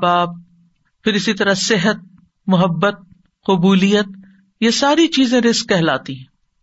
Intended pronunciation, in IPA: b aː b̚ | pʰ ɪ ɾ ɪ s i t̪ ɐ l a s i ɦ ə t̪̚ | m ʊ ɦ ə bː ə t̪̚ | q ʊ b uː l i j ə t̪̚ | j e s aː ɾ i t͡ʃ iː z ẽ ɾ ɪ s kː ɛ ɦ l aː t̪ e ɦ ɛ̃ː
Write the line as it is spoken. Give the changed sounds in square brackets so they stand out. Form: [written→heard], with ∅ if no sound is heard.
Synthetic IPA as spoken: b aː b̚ | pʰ ɪ ɾ ɪ s i t̪ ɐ [l→ɾ] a s [i→ɪ] ɦ ə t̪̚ | m ʊ ɦ ə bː ə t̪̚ | q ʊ b uː l i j ə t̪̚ | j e s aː ɾ i t͡ʃ iː z ẽ ɾ ɪ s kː ɛ ɦ l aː t̪ [e→i] ɦ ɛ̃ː